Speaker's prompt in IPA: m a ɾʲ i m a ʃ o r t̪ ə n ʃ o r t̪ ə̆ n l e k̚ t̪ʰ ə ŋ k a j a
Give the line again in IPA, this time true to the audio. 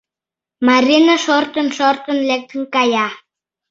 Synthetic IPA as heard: m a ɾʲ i n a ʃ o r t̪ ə n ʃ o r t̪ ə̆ n l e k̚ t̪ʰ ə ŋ k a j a